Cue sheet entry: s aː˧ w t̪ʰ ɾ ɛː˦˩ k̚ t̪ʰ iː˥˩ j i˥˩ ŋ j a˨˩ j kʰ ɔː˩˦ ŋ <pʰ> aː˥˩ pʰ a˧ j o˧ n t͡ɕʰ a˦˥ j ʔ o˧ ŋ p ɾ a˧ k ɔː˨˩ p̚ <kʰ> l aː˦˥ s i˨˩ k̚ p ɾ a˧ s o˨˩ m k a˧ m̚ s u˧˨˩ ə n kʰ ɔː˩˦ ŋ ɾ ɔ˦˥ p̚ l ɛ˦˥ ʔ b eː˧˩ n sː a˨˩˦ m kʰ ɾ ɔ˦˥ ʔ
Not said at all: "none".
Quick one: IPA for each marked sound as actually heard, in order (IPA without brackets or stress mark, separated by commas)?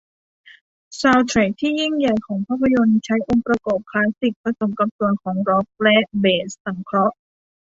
pʰ, kʰ